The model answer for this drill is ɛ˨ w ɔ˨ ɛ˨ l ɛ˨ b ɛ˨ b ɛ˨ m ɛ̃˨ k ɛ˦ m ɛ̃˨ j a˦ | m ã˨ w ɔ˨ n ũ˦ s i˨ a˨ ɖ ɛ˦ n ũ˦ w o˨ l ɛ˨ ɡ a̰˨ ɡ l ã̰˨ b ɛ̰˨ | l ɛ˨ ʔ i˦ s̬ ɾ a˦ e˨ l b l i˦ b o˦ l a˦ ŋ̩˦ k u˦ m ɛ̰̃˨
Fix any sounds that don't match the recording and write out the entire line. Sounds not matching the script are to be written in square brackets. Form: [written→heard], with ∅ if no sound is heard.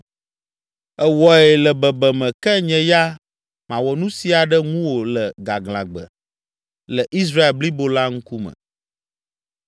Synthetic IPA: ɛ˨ w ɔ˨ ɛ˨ l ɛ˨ b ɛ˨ b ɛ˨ m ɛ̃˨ k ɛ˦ [m→ɲ] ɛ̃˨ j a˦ | m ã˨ w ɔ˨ n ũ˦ s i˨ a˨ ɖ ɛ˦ [n→ŋ] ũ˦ w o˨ l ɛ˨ ɡ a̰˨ ɡ l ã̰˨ [b→ɡ͡b] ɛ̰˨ | l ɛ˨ ʔ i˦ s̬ ɾ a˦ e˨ l b l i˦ b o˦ l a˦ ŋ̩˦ k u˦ m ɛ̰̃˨